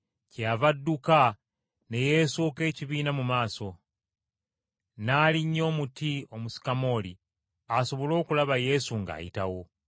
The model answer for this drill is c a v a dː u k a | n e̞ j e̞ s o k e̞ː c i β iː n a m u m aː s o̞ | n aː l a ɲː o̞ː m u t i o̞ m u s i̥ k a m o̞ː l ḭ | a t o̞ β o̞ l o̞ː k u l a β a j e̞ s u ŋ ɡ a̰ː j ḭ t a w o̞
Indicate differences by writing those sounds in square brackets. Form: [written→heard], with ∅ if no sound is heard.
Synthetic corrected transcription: c a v a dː u k a | n e̞ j e̞ s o k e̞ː c i β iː n a m u m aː s o̞ | n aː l [a→i] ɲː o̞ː m u t i o̞ m u s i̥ k a m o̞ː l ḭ | a [t→s] o̞ β o̞ l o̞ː k u l a β a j e̞ s u ŋ ɡ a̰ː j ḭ t a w o̞

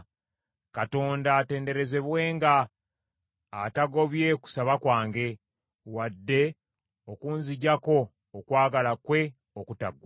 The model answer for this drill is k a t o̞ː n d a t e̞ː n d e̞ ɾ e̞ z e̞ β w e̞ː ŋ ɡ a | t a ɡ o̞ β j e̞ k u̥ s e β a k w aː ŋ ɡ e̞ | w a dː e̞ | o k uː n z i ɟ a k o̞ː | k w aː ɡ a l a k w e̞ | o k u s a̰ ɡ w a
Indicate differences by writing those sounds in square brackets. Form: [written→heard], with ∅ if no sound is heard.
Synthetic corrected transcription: k a t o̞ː n d a t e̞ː n d e̞ ɾ e̞ z e̞ β w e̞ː ŋ ɡ a | t a ɡ o̞ β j e̞ k u̥ s [e→a] β a k w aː ŋ ɡ e̞ | w a dː e̞ | o k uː n z i ɟ a k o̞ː | k w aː ɡ a l a k w e̞ | o k u [s→t] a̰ ɡ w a

